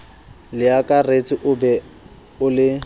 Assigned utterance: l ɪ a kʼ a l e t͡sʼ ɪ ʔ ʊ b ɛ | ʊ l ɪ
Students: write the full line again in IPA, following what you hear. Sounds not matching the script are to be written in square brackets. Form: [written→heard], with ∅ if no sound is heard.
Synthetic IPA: l ɪ a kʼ a [l→r] e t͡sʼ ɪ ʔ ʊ b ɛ | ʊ l ɪ